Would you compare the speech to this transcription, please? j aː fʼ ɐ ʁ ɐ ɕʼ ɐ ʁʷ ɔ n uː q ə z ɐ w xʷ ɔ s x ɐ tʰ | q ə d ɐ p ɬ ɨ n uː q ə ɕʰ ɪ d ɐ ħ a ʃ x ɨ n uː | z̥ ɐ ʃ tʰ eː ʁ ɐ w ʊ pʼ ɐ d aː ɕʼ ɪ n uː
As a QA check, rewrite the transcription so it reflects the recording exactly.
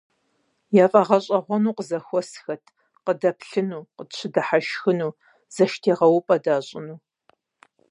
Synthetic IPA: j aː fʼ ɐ ʁ ɐ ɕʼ ɐ ʁʷ ɔ n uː q ə z ɐ xʷ ɔ s x ɐ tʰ | q ə d ɐ p ɬ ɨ n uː q ə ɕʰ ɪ d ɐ ħ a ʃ x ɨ n uː | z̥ ɐ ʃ tʰ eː ʁ ɐ w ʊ pʼ ɐ d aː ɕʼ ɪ n uː